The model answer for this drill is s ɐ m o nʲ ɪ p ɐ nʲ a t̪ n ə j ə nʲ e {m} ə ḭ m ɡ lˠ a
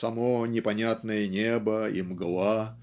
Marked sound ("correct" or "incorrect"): incorrect